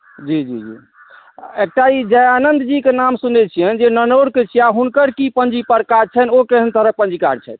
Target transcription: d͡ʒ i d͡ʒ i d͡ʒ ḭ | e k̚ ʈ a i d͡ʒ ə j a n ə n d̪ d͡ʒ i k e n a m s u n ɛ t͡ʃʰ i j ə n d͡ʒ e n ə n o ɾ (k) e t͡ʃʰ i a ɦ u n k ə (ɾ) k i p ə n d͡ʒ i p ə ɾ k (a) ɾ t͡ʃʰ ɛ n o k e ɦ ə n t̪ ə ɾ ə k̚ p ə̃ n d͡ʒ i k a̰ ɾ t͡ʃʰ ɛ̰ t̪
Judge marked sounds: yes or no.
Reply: yes, yes, yes

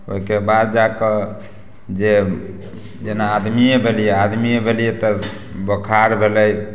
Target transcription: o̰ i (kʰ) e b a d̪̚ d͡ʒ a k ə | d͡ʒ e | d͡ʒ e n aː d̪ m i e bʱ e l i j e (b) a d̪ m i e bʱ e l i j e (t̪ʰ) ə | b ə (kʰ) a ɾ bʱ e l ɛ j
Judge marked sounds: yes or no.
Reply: no, no, no, yes

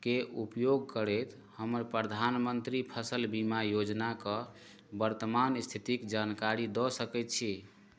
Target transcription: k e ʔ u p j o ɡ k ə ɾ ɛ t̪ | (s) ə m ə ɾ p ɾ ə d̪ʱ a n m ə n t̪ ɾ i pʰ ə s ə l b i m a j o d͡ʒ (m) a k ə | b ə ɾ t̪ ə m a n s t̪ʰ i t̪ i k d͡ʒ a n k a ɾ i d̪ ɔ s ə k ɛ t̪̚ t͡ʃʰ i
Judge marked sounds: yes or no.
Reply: no, no

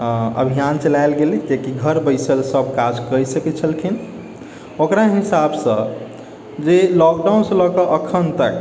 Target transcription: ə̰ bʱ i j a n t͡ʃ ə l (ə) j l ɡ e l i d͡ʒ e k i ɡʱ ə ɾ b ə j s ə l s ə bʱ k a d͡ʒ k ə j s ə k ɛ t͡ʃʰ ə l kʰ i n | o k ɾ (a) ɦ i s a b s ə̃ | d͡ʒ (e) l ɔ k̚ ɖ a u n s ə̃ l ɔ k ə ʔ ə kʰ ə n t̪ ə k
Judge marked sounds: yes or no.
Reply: no, yes, yes

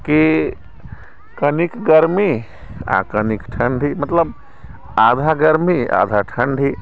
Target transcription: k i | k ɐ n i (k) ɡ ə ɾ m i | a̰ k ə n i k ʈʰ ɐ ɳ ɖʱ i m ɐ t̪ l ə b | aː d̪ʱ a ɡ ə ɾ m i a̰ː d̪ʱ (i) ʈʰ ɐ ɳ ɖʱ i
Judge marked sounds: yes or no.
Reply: yes, no

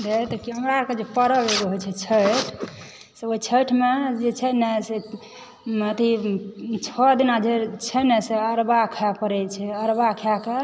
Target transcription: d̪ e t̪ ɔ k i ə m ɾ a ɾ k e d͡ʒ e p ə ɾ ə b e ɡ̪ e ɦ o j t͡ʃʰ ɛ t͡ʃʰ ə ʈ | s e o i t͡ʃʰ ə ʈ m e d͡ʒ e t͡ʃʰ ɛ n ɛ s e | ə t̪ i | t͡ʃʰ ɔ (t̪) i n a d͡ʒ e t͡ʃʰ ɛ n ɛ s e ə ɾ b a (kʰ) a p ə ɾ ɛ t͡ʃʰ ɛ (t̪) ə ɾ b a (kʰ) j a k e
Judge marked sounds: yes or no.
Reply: no, yes, no, yes

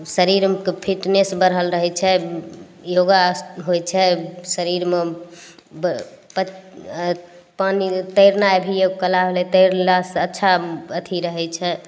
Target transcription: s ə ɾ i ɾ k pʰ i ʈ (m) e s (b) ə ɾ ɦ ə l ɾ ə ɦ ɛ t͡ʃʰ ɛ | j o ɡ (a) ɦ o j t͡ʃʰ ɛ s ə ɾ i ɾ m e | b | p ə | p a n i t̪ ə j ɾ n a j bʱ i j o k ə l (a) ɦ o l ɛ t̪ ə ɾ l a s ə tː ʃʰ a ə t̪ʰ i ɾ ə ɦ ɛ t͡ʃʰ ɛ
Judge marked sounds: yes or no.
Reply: no, yes, yes, yes

